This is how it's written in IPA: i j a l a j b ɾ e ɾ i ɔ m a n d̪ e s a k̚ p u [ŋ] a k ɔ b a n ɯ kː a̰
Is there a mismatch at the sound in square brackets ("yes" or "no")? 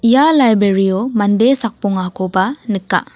no